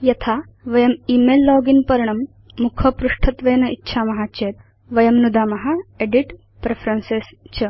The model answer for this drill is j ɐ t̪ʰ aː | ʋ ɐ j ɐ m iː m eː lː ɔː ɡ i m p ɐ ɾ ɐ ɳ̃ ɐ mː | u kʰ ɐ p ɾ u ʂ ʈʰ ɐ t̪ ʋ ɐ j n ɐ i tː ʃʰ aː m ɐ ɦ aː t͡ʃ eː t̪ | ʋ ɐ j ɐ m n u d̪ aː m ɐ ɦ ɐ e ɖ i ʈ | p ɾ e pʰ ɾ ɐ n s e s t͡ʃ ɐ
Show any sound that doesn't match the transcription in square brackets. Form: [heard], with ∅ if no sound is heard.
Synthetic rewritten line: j ɐ t̪ʰ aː | ʋ ɐ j ɐ m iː m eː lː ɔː ɡ i [n] p ɐ ɾ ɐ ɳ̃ ɐ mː | u kʰ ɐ p ɾ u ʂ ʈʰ ɐ t̪ ʋ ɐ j n ɐ i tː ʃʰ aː m ɐ ɦ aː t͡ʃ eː t̪ | ʋ ɐ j ɐ m n u d̪ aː m ɐ ɦ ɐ e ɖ i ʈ | p ɾ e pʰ ɾ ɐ n s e s t͡ʃ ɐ

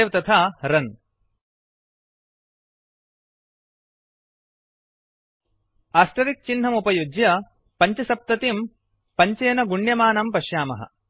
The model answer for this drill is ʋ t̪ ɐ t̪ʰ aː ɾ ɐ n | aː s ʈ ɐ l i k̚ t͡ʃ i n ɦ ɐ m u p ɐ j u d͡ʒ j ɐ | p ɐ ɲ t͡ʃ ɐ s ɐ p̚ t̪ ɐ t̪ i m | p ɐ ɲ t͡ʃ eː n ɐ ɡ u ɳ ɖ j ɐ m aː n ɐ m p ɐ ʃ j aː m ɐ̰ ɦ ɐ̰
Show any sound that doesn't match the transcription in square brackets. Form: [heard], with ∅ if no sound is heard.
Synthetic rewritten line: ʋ t̪ ɐ t̪ʰ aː ɾ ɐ n | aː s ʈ ɐ [ɾ] i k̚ t͡ʃ i n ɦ ɐ m u p ɐ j u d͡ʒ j ɐ | p ɐ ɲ t͡ʃ ɐ s ɐ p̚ t̪ ɐ t̪ i m | p ɐ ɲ t͡ʃ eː n ɐ ɡ u ɳ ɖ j ɐ m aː n ɐ m p ɐ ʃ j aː m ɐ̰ ɦ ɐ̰

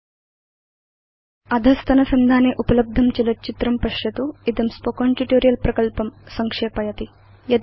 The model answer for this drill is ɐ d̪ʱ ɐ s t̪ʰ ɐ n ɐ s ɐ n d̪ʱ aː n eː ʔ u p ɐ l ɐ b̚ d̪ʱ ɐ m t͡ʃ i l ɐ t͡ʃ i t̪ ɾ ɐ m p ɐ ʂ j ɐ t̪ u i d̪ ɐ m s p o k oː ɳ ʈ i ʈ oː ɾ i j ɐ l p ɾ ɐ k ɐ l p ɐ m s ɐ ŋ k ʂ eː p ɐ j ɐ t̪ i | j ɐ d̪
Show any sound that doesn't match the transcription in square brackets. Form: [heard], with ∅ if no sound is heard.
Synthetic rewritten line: ɐ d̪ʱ ɐ s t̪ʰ ɐ n ɐ s ɐ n d̪ʱ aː n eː ʔ u p ɐ l ɐ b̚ d̪ʱ ɐ m t͡ʃ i l ɐ t͡ʃ i t̪ ɾ ɐ m p ɐ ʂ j ɐ t̪ u i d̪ ɐ m s p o k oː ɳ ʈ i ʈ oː ɾ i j ɐ l p ɾ ɐ k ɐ l p ɐ m s ɐ ŋ k ʂ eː p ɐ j ɐ t̪ i | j ɐ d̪

